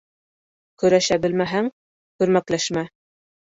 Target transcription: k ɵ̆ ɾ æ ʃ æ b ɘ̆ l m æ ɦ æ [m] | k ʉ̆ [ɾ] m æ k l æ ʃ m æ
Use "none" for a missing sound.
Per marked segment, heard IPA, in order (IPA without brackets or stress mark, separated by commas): ŋ, ɾ